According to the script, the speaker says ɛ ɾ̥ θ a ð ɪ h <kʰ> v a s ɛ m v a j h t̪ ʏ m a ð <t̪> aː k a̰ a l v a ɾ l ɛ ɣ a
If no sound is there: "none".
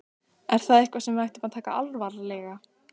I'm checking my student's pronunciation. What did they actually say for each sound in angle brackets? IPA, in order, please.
k, t̪ʰ

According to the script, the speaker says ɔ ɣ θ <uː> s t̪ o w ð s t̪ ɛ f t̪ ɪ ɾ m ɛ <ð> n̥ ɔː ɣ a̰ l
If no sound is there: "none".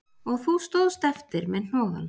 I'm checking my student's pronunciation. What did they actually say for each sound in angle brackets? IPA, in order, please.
u, ð

